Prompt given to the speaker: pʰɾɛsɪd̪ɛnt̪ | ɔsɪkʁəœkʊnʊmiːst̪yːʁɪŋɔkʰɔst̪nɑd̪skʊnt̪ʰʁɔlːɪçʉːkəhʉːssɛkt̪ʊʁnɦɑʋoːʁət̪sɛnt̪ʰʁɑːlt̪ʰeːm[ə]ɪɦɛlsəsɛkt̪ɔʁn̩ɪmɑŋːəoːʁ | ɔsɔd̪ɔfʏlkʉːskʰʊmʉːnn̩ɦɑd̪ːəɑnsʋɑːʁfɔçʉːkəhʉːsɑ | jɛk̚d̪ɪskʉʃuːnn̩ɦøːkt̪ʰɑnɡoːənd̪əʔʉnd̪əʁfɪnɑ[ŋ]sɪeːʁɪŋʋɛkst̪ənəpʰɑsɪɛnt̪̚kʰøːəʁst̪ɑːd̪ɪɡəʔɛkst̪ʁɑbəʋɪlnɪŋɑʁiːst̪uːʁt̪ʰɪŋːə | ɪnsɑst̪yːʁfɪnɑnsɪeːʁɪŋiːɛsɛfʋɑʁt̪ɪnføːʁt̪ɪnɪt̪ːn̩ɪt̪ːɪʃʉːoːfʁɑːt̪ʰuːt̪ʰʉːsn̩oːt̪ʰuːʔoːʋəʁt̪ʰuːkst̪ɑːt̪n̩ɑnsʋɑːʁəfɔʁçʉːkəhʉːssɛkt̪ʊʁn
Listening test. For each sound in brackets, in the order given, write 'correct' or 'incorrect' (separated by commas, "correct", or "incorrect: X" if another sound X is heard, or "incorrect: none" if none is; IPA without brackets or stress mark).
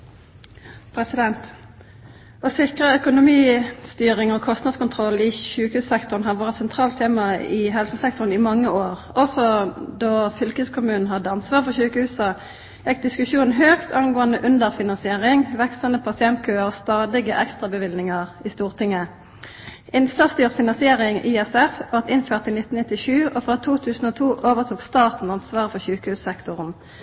incorrect: ɑ, incorrect: n